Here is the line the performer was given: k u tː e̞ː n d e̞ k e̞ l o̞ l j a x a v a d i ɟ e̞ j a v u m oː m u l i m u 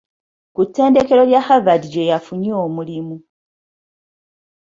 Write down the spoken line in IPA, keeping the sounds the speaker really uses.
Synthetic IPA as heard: k u tː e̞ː n d e̞ k e̞ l o̞ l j a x a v a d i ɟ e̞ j a f u ɲ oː m u l i m u